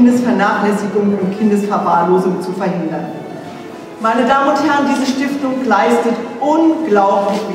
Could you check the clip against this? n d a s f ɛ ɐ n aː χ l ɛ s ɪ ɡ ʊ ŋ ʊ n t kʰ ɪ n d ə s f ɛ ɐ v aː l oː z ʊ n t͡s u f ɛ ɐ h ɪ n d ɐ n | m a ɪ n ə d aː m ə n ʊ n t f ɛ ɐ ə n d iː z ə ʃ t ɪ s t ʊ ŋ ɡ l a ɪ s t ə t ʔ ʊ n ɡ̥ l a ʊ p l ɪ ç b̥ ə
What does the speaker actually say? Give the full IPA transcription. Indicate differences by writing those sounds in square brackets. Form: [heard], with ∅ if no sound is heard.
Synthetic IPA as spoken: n d [ə] s f ɛ ɐ n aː χ l ɛ s ɪ ɡ ʊ ŋ ʊ n t kʰ ɪ n d ə s f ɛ ɐ v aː l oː z ʊ [ŋ] t͡s u f ɛ ɐ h ɪ n d ɐ n | m a ɪ n ə d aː m ə n ʊ n t [h] ɛ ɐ ə n d iː z ə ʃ t ɪ [f] t ʊ ŋ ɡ l a ɪ s t ə t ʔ ʊ n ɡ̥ l a ʊ p l ɪ ç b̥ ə